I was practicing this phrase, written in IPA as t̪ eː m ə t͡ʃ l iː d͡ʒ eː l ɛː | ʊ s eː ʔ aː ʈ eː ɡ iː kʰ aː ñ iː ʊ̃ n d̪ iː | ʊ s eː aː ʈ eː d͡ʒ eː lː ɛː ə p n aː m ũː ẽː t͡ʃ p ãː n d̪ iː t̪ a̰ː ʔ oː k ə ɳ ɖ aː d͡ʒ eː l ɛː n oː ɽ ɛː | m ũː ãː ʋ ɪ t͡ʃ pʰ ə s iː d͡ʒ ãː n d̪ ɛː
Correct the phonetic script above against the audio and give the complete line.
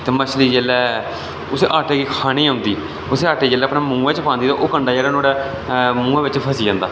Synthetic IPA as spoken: t̪ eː m ə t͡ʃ l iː d͡ʒ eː l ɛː | ʊ s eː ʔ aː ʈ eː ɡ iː kʰ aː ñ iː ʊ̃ n d̪ iː | ʊ s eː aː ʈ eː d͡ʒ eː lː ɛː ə p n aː m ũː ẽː t͡ʃ p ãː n d̪ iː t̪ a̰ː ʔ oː k ə ɳ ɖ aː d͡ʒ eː l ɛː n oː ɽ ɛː | m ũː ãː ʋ ɪ t͡ʃ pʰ ə s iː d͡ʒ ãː n d̪ aː